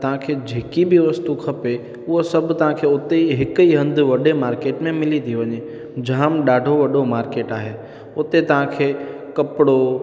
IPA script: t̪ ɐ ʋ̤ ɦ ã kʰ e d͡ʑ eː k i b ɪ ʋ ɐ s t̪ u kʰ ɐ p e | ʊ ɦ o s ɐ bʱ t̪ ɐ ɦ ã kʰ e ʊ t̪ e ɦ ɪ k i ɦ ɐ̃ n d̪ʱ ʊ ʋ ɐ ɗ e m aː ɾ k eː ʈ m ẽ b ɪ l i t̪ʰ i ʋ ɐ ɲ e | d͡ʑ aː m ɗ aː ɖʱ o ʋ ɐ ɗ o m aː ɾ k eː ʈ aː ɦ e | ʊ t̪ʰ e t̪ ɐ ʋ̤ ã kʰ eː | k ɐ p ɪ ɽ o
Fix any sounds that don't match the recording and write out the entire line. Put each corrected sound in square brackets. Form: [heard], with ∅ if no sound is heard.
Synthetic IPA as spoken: t̪ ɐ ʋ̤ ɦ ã kʰ e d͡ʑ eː k i b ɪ ʋ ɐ s t̪ u kʰ ɐ p e | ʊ ɦ o s ɐ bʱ t̪ ɐ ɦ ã kʰ e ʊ t̪ e ɦ ɪ k i ɦ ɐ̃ n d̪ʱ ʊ ʋ ɐ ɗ e m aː ɾ k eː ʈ m ẽ [m] ɪ l i t̪ʰ i ʋ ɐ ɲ e | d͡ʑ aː m ɗ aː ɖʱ o ʋ ɐ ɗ o m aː ɾ k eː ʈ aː ɦ e | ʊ [t̪] e t̪ ɐ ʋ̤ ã kʰ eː | k ɐ p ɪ ɽ o